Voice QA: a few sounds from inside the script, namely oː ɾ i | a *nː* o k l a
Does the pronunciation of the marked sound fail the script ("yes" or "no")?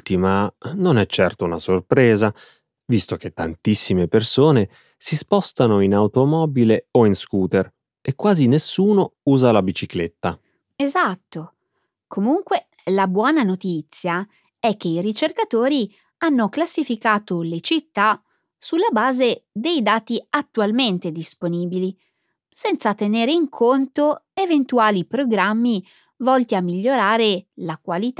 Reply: no